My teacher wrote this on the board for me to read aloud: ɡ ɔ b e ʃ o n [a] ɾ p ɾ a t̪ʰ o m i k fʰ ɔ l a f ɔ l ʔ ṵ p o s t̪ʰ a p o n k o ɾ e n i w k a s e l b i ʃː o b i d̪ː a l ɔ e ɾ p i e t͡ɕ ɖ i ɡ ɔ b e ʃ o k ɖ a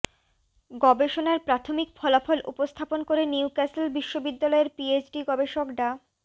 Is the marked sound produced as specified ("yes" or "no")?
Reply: yes